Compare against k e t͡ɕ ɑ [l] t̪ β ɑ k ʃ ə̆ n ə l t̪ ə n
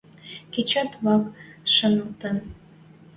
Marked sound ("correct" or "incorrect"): incorrect